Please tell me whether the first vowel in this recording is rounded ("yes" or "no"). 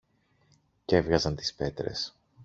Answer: no